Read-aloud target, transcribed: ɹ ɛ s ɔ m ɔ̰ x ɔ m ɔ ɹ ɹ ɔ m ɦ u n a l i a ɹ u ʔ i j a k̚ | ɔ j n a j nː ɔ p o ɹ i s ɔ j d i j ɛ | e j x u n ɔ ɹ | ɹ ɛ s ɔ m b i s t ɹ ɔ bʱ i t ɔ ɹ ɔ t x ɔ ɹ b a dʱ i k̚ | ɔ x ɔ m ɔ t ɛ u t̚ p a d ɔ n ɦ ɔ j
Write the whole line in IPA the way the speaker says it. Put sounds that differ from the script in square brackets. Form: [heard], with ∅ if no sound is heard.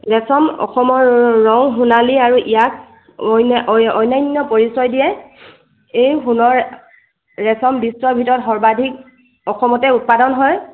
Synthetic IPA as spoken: ɹ ɛ s ɔ m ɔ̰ x ɔ m ɔ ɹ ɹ ɔ [ŋ] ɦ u n a l i a ɹ u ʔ i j a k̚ | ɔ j n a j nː ɔ p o ɹ i s ɔ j d i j ɛ | e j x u n ɔ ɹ | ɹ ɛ s ɔ m b i s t ɹ ɔ bʱ i t ɔ ɹ ɔ t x ɔ ɹ b a dʱ i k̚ | ɔ x ɔ m ɔ t ɛ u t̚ p a d ɔ n ɦ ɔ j

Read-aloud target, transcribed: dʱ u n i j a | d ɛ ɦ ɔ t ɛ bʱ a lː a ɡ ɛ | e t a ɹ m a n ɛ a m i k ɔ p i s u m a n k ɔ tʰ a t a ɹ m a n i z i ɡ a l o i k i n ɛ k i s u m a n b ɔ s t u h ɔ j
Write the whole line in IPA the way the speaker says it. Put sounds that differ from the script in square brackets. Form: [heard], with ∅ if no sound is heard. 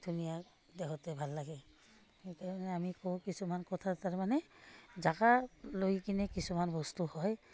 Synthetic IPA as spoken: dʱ u n i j a | d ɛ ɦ ɔ t ɛ bʱ a lː a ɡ ɛ | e t a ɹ m a n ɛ a m i k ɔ [k] i s u m a n k ɔ tʰ a t a ɹ m a n [ɛ] z [a] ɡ a l o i k i n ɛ k i s u m a n b ɔ s t u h ɔ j

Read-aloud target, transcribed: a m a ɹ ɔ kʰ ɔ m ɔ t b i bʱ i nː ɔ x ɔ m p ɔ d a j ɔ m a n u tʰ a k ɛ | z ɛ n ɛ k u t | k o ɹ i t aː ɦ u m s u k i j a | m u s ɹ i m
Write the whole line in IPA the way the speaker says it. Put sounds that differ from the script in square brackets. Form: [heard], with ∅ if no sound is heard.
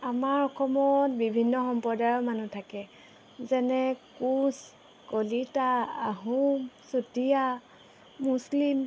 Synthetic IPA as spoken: a m a ɹ ɔ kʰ ɔ m ɔ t b i bʱ i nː ɔ x ɔ m p ɔ d a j ɔ m a n u tʰ a k ɛ | z ɛ n ɛ k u [s] | k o [l] i t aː ɦ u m s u [t] i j a | m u s [l] i m

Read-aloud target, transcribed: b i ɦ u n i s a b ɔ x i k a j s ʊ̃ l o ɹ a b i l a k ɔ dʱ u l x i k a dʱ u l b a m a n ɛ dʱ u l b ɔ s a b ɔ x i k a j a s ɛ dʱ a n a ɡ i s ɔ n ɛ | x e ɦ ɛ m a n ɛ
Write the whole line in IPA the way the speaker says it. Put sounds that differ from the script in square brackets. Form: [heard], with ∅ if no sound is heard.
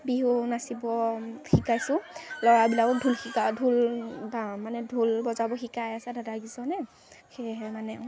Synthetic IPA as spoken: b i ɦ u n [a] s [i] b ɔ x i k a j s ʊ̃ l [ɔ] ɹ a b i l a k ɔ dʱ u l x i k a dʱ u l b a m a n ɛ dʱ u l b ɔ [z] a b ɔ x i k a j a s ɛ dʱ a [d] a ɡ i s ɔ n ɛ | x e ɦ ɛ m a n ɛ

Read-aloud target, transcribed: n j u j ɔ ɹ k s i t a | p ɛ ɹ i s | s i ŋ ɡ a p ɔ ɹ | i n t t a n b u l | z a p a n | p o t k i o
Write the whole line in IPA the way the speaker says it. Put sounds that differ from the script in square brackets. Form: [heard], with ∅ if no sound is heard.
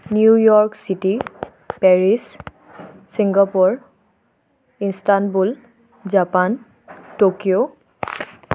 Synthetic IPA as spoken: n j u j ɔ ɹ k s i t [i] | p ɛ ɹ i s | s i ŋ ɡ a p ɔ ɹ | i n [s] t a n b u l | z a p a n | [t] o [∅] k i o

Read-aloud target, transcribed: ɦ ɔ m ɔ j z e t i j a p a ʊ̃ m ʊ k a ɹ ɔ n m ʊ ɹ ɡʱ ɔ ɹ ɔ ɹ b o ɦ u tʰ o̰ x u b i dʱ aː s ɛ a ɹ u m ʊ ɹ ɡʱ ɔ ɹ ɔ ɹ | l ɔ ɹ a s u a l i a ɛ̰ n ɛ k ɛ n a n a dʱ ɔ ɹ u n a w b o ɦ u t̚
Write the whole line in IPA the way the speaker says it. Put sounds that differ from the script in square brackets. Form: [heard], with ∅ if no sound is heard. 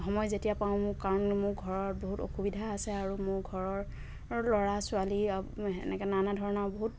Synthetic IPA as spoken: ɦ ɔ m ɔ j z e t i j a p a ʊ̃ m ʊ k a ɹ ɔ n m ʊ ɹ ɡʱ ɔ ɹ ɔ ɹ b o ɦ u [t] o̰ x u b i dʱ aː s ɛ a ɹ u m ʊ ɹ ɡʱ ɔ ɹ ɔ ɹ | l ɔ ɹ a s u a l i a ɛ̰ n ɛ k ɛ n a n a dʱ ɔ ɹ [ɔ] n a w b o ɦ u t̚

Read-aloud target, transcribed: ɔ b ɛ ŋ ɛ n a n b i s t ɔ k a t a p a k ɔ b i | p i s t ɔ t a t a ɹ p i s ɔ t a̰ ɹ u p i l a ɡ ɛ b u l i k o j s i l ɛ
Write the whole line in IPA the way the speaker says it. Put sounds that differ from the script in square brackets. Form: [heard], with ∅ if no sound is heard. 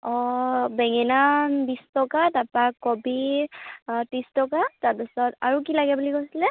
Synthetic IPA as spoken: ɔ b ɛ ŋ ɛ n a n b i s t ɔ k a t a p a k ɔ b i | [t] i s t ɔ [k] a t a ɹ p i s ɔ t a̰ ɹ u [k] i l a ɡ ɛ b u l i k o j s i l ɛ

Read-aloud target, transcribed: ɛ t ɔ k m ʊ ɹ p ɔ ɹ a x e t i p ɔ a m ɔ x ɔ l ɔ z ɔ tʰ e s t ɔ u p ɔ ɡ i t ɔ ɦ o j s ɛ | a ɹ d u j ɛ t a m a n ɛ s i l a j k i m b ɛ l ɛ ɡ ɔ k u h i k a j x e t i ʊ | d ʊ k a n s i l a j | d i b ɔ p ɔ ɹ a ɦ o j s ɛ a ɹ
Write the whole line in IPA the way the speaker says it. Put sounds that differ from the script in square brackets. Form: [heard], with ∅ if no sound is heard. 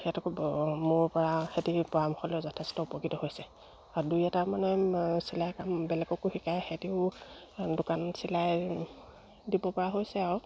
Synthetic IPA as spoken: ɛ t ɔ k m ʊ ɹ p ɔ ɹ a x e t i p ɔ a m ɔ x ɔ l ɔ z ɔ tʰ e s t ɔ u p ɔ [k] i t ɔ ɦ o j s ɛ | a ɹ d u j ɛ t a m a n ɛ s i l a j k [a] m b ɛ l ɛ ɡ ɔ k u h i k a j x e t i ʊ | d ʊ k a n s i l a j | d i b ɔ p ɔ ɹ a ɦ o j s ɛ a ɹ

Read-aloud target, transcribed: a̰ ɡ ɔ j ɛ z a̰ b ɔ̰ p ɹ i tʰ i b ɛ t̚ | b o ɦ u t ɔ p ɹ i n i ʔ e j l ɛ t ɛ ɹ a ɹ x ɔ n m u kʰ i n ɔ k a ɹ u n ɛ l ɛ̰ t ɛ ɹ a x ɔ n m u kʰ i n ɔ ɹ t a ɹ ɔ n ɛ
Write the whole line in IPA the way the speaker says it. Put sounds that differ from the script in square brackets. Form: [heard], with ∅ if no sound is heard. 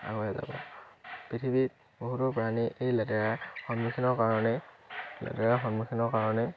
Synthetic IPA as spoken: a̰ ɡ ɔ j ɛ z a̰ b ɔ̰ p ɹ i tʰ i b [i] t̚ | b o ɦ u t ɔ p ɹ [a] n i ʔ e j l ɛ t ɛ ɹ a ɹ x ɔ n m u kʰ i n ɔ k a ɹ [ɔ] n ɛ l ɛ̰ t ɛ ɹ a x ɔ n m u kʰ i n ɔ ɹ [k] a ɹ ɔ n ɛ

